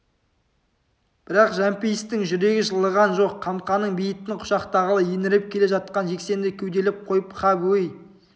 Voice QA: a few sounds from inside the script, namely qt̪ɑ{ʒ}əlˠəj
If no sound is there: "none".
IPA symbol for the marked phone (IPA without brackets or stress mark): ʁ